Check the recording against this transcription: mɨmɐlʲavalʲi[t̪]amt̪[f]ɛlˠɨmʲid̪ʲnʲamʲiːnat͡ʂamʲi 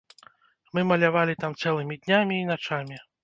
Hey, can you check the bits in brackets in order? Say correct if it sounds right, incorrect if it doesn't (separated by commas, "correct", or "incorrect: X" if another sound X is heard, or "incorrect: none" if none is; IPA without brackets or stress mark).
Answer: correct, incorrect: s